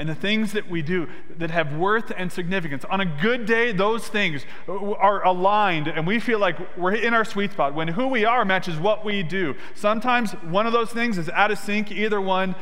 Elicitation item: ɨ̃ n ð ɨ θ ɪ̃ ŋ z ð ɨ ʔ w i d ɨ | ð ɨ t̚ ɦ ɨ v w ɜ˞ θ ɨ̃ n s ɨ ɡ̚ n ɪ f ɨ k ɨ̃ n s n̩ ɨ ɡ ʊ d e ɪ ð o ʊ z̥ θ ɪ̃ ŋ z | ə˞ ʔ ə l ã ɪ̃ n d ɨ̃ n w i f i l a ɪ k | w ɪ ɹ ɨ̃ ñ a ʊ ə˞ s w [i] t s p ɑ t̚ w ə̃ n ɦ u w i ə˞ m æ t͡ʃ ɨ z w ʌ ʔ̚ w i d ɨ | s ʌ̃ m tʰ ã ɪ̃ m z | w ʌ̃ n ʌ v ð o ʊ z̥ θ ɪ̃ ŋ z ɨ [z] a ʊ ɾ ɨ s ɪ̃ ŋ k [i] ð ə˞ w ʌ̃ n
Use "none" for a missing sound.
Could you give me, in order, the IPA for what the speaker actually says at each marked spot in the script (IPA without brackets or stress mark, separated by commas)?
i, z, i